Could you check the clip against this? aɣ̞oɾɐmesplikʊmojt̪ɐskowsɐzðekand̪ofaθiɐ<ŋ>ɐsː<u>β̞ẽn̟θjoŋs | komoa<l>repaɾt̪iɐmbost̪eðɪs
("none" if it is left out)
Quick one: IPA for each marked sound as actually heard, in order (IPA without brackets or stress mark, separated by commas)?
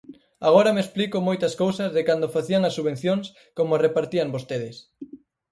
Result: ŋ, u, none